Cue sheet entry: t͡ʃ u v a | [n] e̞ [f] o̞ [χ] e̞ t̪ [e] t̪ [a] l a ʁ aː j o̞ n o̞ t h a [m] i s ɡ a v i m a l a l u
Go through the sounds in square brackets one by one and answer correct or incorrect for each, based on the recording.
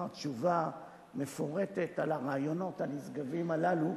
incorrect, correct, incorrect, correct, correct, incorrect

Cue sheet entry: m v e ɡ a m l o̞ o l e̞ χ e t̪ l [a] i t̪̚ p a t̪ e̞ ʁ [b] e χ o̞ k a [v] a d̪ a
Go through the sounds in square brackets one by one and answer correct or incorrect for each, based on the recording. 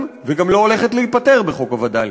incorrect, correct, correct

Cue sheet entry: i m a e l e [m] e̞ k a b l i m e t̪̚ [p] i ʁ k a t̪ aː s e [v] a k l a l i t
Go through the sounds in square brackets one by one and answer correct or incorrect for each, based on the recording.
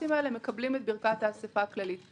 correct, incorrect, incorrect

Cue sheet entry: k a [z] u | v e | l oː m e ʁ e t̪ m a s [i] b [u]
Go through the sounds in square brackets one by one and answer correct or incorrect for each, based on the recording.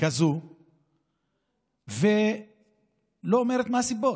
correct, correct, incorrect

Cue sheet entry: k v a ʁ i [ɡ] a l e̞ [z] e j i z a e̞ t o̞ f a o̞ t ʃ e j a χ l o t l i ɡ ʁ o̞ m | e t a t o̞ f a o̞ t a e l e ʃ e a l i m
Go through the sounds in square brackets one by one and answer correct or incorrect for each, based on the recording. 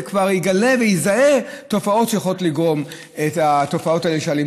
correct, incorrect

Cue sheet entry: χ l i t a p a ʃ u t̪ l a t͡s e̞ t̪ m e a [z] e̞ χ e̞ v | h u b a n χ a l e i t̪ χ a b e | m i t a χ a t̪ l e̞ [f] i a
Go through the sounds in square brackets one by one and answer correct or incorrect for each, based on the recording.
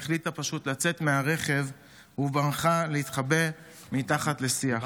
incorrect, incorrect

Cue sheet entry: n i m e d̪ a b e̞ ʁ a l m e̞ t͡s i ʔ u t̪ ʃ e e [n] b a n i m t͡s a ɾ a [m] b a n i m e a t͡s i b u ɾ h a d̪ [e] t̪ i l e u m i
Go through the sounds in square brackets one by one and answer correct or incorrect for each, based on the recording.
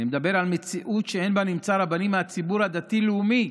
correct, incorrect, incorrect

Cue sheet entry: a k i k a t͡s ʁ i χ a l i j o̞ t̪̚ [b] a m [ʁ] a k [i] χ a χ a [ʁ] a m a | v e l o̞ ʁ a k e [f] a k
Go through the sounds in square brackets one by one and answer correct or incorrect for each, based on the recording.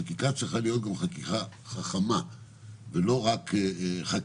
incorrect, incorrect, correct, incorrect, incorrect

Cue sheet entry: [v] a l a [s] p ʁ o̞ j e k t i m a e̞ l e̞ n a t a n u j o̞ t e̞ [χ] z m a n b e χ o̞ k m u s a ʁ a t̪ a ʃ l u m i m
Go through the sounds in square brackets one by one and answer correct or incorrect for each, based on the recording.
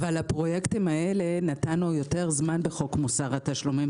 correct, incorrect, incorrect

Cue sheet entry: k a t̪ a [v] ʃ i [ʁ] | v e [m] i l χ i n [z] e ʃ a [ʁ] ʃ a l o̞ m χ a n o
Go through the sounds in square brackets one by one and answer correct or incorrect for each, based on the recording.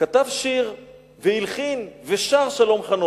correct, correct, incorrect, incorrect, correct

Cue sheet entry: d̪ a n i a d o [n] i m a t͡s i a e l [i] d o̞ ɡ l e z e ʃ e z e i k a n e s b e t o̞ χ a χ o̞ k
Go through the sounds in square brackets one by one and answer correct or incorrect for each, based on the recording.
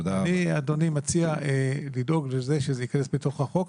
correct, correct

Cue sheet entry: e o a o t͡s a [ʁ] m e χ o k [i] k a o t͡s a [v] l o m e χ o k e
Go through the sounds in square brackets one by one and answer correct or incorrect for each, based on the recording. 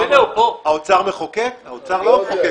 correct, incorrect, incorrect

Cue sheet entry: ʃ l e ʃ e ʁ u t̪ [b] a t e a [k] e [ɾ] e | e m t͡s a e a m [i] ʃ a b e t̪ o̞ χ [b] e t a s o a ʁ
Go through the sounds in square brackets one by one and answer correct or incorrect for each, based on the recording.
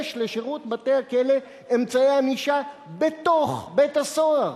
correct, correct, incorrect, correct, correct

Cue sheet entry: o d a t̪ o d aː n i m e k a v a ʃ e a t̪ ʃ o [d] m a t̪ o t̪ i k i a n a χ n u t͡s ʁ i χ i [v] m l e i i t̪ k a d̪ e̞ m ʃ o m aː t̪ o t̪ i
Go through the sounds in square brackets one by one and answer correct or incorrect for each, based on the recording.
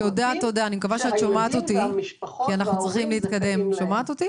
incorrect, incorrect

